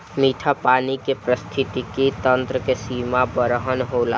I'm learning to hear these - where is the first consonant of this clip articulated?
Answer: lips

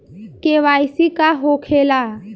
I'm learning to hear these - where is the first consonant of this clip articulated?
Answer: velum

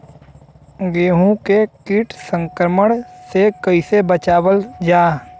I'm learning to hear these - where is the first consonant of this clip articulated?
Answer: velum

